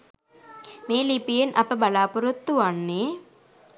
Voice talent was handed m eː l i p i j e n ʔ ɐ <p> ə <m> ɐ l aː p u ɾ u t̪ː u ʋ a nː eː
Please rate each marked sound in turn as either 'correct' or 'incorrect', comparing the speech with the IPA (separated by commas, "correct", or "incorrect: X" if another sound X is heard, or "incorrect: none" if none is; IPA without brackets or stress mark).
correct, incorrect: b